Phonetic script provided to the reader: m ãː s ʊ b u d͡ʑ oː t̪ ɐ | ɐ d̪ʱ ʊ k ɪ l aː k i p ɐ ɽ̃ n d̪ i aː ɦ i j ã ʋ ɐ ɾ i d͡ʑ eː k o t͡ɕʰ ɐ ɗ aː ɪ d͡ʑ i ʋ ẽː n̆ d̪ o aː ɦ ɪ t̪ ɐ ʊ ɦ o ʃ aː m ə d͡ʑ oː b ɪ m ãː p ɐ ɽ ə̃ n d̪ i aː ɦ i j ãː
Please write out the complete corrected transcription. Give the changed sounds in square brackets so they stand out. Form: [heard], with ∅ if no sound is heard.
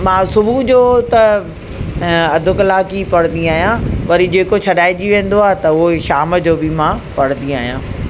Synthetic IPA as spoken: m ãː s ʊ b u d͡ʑ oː t̪ ɐ | ɐ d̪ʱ ʊ k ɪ l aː k i p ɐ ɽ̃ n d̪ i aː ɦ i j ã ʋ ɐ ɾ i d͡ʑ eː k o t͡ɕʰ ɐ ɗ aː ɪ d͡ʑ i ʋ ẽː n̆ d̪ o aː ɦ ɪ t̪ ɐ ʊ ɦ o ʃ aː m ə d͡ʑ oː b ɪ m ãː p ɐ ɽ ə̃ n d̪ i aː ɦ i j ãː